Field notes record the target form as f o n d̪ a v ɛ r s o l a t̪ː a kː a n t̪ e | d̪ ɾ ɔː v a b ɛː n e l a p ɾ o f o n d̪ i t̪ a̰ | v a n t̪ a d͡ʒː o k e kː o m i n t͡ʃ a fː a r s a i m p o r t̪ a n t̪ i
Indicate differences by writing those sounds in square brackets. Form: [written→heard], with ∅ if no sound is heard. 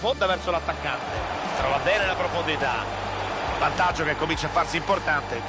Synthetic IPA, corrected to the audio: f o n d̪ a v ɛ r s o l a t̪ː a kː a n t̪ e | [d̪→t̪] ɾ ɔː v a b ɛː n e l a p ɾ o f o n d̪ i t̪ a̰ | v a n t̪ a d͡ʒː o k e kː o m i n t͡ʃ a fː a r s [a→i] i m p o r t̪ a n t̪ [i→e]